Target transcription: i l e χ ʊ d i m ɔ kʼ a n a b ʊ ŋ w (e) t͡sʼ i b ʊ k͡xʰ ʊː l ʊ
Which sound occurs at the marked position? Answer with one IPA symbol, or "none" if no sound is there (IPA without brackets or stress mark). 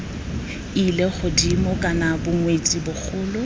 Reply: e